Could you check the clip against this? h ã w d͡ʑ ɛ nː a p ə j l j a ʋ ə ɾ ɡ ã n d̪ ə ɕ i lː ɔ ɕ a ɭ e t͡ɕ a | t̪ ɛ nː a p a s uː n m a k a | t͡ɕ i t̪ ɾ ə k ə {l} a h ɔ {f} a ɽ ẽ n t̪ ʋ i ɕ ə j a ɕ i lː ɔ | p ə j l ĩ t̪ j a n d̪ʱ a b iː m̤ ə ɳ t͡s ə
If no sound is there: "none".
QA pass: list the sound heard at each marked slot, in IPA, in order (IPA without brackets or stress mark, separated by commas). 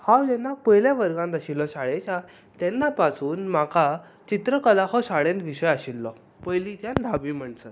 l, ɕ